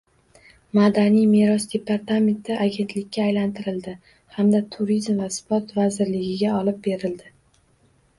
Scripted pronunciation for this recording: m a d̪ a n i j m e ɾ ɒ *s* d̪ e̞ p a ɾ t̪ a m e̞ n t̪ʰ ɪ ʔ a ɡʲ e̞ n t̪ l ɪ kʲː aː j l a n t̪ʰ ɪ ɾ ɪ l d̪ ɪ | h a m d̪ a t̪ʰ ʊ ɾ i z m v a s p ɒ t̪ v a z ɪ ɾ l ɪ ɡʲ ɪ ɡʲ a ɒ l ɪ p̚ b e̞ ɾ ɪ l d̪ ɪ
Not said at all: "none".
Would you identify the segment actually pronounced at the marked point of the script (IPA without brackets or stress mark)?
s